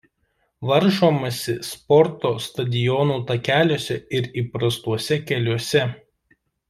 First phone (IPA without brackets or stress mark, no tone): ʋ